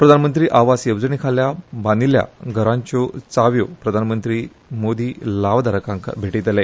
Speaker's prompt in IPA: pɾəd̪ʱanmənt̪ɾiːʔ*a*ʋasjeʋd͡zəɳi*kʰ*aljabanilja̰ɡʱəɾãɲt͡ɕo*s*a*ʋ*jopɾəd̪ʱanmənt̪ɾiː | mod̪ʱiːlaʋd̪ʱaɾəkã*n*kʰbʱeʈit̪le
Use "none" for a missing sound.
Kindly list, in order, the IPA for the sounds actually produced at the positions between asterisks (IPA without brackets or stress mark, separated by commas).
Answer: a, kʰ, t͡s, ʋ, ŋ